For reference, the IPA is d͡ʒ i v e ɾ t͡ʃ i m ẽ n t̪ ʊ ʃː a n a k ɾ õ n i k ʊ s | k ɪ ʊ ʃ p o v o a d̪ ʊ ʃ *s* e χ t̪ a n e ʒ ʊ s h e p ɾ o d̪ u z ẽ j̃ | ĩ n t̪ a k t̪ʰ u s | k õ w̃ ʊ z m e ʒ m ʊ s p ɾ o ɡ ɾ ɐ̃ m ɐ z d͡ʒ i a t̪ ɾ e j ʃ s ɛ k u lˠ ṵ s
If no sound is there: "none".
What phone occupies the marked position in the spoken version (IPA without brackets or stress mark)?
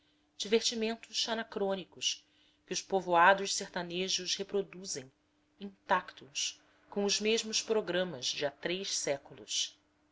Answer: s